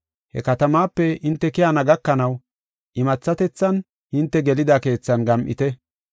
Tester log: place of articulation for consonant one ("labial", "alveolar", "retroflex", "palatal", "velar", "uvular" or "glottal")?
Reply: glottal